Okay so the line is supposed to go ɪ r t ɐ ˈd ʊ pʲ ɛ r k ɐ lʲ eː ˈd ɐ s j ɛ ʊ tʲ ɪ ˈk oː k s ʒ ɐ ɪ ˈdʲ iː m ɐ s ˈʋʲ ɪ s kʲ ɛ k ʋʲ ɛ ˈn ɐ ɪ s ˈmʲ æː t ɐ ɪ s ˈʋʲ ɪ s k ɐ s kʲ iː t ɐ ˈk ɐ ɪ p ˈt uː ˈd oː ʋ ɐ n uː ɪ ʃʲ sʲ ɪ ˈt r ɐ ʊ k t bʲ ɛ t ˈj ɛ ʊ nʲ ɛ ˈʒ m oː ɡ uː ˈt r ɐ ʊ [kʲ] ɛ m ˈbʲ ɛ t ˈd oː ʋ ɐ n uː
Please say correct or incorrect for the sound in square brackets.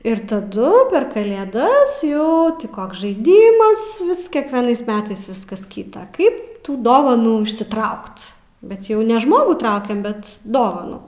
correct